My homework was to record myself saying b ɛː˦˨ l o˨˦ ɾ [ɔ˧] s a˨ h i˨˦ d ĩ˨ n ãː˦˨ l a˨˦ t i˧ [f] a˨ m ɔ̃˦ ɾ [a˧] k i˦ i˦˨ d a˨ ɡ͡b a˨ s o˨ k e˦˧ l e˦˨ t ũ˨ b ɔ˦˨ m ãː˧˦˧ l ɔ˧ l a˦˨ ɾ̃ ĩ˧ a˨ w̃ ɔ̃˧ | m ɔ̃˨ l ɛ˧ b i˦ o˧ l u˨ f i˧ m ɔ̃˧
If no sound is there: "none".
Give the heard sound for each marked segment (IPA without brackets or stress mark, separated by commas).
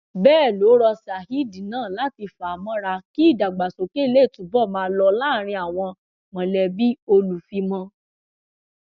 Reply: ɔ˧, f, a˧